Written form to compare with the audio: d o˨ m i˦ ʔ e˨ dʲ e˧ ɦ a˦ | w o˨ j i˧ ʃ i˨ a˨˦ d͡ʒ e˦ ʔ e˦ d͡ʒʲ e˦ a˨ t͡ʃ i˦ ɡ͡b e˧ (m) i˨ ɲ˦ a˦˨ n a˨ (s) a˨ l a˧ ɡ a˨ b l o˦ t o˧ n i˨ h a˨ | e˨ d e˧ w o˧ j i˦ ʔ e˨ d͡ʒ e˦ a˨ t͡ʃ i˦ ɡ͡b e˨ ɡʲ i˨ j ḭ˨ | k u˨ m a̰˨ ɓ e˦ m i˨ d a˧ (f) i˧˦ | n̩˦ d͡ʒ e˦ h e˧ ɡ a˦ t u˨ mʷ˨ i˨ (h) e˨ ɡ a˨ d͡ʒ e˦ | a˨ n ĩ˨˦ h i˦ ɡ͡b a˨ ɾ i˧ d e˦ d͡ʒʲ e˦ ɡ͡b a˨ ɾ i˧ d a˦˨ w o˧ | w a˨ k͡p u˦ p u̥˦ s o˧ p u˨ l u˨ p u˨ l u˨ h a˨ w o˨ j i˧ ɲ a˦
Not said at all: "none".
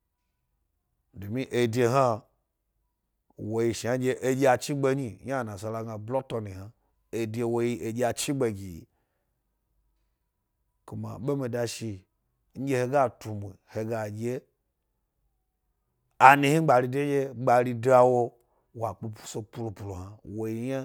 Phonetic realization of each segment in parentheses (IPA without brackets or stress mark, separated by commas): ɲ, s, ʃ, h